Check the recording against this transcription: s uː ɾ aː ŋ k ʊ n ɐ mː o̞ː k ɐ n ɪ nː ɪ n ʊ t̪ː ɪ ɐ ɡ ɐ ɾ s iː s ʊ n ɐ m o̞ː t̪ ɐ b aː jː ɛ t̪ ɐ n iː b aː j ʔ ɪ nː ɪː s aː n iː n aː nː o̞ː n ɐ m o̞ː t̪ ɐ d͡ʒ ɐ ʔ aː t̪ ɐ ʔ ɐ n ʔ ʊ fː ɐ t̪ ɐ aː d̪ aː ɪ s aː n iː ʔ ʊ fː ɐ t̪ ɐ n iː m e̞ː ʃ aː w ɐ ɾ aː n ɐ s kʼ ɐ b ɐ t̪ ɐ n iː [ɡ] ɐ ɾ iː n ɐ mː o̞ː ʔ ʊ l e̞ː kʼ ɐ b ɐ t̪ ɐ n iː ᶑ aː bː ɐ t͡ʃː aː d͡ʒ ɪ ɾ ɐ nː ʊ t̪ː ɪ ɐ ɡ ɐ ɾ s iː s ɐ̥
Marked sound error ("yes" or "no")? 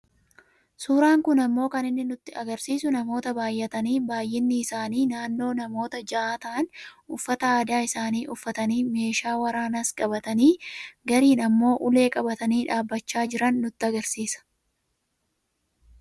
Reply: no